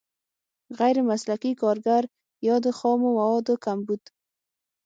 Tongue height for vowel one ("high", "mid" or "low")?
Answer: low